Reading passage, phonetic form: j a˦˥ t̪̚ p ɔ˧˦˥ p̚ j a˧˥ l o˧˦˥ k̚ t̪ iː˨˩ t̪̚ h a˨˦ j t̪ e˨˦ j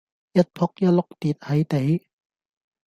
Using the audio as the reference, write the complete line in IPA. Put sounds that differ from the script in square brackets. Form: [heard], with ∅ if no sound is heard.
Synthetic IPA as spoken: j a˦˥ t̪̚ [pʰ] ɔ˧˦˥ [k̚] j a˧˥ l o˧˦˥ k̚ t̪ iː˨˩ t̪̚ h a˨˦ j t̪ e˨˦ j